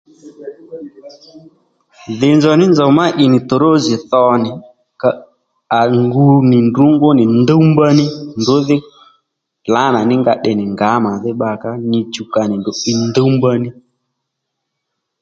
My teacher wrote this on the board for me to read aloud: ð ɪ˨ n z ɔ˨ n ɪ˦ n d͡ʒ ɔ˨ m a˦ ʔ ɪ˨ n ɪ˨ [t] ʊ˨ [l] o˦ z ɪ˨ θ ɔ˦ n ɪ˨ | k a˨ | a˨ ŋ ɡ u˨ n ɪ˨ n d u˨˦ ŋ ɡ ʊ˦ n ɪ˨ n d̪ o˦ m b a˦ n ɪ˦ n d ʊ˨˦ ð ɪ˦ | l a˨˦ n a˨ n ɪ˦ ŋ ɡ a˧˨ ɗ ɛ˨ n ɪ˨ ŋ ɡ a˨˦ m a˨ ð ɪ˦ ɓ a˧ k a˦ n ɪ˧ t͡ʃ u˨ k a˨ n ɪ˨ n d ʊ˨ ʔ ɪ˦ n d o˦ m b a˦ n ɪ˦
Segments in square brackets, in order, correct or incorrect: correct, incorrect: ɾ

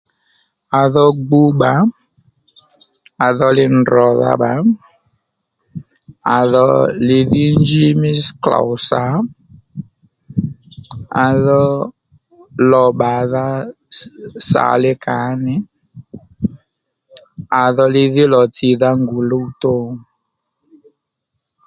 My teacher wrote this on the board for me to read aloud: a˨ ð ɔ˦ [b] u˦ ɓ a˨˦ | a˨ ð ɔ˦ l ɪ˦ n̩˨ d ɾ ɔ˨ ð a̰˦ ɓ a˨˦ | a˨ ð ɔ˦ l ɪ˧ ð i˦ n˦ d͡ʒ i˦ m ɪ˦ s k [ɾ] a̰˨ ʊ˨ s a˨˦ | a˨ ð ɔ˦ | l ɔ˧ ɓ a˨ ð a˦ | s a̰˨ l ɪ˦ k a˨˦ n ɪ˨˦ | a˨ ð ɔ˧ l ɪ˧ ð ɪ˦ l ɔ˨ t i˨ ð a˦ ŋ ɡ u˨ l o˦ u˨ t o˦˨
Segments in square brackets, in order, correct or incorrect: incorrect: ɡ͡b, incorrect: l

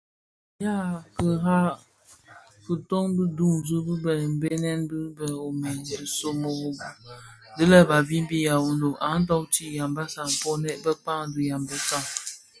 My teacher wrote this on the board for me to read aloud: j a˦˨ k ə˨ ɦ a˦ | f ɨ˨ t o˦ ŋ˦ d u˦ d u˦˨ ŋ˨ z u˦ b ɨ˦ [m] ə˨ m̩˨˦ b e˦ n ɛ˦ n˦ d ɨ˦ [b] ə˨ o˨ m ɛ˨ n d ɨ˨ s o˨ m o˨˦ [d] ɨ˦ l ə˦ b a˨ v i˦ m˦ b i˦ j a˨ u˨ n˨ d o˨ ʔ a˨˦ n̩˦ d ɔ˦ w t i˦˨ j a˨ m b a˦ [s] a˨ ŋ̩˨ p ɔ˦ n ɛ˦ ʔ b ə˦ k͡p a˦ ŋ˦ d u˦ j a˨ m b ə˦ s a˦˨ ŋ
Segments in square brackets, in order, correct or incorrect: incorrect: b, correct, correct, correct

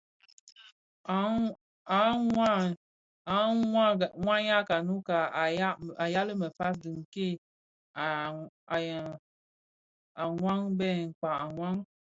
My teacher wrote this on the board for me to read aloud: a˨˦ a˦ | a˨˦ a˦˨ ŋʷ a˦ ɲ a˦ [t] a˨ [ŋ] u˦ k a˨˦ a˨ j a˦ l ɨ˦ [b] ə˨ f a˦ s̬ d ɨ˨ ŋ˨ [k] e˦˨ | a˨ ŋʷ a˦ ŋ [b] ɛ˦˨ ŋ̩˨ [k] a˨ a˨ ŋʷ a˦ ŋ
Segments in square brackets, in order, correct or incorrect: incorrect: k, incorrect: n, incorrect: m, correct, correct, incorrect: k͡p

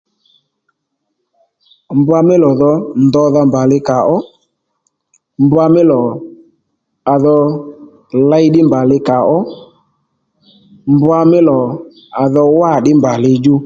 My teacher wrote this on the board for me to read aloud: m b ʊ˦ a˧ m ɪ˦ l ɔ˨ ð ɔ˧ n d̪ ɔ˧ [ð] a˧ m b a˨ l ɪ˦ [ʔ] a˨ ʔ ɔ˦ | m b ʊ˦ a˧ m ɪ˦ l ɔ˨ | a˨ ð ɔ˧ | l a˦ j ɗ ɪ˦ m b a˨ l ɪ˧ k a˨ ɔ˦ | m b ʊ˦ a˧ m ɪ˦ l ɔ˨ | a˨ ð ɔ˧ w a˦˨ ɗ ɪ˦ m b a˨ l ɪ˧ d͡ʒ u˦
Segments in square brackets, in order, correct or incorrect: correct, incorrect: k

